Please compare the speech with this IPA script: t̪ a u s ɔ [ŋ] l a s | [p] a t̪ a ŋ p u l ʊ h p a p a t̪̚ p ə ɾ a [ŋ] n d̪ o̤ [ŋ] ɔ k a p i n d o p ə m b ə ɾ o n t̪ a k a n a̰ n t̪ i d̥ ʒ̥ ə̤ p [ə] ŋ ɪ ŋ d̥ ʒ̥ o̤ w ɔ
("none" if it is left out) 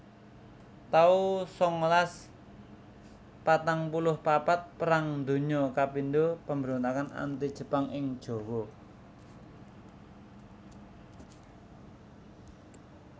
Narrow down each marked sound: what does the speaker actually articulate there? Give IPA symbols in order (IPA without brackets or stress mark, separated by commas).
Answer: ŋ, p, ŋ, ɲ, a